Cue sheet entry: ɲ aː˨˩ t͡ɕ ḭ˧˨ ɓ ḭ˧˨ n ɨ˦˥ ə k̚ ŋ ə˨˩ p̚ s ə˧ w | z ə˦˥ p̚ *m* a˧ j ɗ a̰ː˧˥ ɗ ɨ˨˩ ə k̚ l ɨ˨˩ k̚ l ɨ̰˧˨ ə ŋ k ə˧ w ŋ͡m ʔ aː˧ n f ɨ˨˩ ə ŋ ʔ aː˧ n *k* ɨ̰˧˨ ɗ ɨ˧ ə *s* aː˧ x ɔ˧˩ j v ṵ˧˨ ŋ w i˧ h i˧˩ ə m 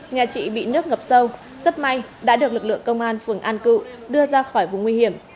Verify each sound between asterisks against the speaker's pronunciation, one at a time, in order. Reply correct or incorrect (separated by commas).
correct, correct, incorrect